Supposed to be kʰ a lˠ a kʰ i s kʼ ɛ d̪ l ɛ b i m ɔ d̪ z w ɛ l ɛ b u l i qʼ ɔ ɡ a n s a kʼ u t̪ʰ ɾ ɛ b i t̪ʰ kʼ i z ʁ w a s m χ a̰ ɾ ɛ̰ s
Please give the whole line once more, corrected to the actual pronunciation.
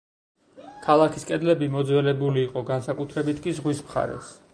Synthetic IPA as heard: kʰ a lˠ a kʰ i s kʼ ɛ d̪ l ɛ b i m ɔ d̪ z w ɛ l ɛ b u l iː qʼ ɔ ɡ a n s a kʼ u t̪ʰ ɾ ɛ b i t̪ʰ kʼ i z ʁ w i s m χ a̰ ɾ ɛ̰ s